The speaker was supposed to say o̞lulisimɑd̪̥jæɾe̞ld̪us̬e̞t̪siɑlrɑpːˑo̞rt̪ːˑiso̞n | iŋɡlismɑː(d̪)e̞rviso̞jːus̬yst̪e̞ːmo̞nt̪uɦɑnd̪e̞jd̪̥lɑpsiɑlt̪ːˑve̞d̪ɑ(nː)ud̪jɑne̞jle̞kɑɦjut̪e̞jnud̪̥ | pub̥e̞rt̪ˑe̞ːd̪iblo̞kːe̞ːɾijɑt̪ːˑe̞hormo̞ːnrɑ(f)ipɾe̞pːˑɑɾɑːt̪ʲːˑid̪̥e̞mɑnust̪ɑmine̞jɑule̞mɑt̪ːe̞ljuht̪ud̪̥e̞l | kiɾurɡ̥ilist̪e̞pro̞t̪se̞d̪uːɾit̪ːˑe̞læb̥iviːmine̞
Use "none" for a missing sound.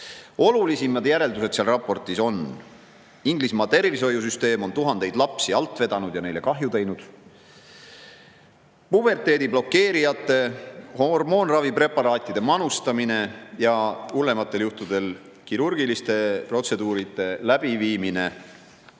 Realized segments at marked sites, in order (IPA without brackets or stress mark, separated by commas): t̪, n, v